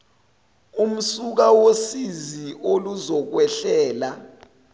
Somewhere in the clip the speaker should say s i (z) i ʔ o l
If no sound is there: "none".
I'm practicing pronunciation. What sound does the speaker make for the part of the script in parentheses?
z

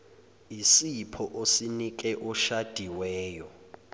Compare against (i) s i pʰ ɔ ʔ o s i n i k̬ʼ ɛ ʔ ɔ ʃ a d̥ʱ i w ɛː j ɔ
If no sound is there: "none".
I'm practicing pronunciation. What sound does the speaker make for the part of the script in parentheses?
i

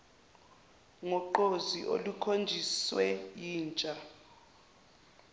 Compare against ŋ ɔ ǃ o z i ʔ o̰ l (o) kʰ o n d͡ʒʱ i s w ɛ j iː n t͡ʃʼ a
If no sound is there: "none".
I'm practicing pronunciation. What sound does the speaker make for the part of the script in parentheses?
u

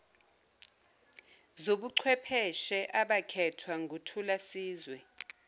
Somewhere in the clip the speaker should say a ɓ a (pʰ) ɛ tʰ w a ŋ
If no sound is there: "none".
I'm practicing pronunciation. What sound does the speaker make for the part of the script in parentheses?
kʰ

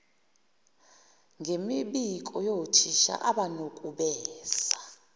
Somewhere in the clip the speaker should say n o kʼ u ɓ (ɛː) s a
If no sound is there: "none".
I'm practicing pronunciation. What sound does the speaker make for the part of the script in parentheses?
ɛː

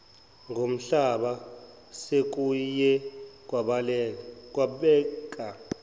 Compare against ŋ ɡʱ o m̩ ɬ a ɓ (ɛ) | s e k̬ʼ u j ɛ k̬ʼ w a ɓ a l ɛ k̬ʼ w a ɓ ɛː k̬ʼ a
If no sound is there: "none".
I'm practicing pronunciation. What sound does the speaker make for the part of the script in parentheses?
a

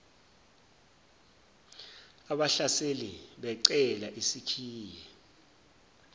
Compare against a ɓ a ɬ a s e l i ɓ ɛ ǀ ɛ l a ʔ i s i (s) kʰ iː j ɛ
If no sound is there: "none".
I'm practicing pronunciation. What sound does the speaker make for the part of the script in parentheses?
none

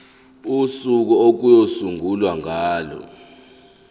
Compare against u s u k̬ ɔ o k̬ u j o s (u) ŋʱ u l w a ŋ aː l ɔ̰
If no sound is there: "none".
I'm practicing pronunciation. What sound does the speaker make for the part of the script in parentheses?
u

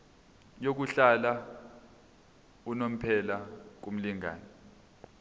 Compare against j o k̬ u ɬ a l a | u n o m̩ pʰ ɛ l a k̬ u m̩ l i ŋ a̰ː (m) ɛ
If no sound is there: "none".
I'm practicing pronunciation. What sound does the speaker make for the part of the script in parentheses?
n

